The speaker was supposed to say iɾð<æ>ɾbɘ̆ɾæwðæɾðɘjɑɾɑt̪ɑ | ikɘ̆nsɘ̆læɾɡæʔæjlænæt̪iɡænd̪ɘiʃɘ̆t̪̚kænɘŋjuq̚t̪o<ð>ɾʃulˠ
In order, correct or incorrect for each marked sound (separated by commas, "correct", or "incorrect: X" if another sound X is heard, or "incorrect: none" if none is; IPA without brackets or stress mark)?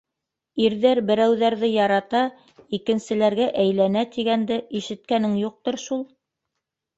correct, incorrect: none